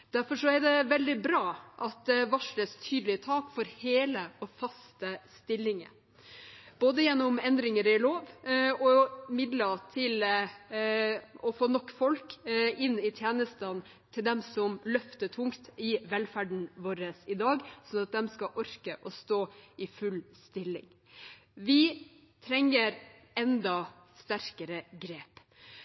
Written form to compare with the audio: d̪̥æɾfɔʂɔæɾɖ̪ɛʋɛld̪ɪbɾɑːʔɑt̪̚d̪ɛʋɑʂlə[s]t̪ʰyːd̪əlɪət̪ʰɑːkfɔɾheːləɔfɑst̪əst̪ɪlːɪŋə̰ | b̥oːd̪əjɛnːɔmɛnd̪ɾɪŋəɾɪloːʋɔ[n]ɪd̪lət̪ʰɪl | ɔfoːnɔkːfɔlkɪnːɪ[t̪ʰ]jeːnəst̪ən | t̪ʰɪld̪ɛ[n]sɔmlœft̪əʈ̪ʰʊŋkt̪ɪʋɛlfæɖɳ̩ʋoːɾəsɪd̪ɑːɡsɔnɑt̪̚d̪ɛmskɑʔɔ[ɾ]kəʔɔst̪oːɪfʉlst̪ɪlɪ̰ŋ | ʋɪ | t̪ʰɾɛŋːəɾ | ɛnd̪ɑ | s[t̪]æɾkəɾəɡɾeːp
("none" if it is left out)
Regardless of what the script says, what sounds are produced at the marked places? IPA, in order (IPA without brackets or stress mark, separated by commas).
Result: s, m, t̪ʰ, m, ɾ, t̪